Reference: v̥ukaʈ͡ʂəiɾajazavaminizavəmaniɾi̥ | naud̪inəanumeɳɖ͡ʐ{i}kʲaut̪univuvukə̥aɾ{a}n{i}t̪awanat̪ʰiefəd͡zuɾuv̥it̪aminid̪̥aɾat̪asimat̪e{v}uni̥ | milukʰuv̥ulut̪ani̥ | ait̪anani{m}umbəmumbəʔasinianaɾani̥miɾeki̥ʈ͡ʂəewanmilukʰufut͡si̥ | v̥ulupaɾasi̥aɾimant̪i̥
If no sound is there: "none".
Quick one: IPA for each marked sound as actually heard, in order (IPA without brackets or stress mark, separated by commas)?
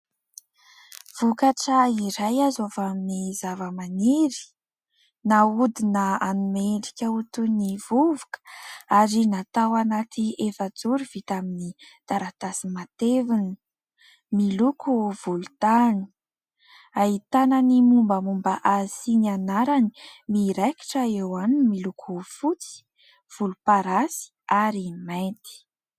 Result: i, i, a, v, m